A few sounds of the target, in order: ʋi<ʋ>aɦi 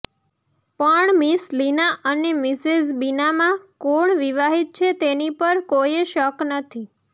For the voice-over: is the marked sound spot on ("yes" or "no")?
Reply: yes